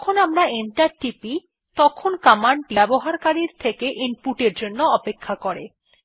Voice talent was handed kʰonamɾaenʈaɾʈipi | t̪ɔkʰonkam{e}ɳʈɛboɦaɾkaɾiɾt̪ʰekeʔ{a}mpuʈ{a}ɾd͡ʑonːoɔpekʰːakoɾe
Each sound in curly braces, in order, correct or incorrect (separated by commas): incorrect, incorrect, incorrect